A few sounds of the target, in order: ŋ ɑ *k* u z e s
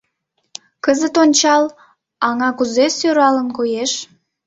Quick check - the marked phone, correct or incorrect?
correct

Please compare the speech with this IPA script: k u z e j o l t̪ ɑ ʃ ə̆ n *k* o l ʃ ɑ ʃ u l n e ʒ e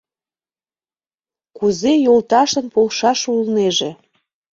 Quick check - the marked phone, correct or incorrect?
incorrect: p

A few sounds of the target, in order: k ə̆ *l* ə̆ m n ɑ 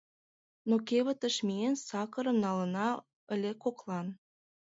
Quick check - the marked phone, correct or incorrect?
incorrect: ɾ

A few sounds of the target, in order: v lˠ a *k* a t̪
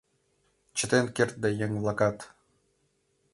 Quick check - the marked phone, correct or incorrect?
correct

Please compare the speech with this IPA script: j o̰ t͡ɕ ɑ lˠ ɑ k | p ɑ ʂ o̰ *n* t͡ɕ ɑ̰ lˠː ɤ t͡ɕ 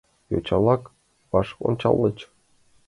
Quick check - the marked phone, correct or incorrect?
correct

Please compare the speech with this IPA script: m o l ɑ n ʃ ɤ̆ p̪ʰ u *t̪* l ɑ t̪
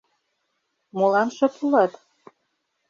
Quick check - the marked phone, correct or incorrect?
incorrect: none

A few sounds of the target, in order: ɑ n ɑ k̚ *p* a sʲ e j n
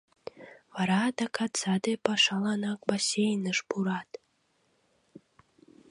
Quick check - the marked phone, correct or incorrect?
incorrect: b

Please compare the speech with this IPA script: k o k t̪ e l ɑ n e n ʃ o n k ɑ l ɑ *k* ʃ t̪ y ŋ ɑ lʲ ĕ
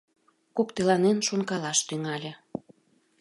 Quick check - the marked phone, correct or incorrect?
incorrect: none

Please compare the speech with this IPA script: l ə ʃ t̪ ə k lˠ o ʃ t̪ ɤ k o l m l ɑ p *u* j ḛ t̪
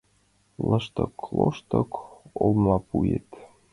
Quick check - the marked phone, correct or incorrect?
correct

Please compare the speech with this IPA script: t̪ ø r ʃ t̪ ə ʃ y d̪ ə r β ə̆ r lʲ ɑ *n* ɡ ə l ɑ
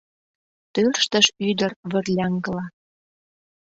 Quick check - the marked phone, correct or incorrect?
incorrect: ŋ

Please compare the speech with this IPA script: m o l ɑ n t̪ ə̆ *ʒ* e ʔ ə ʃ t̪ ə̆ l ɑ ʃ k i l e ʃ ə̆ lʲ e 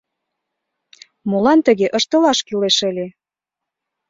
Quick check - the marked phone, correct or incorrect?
incorrect: ɣ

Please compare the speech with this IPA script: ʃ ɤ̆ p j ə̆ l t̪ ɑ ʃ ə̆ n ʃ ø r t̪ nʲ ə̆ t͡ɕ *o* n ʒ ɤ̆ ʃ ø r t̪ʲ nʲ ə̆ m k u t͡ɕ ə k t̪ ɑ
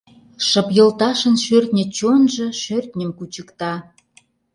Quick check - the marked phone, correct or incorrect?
correct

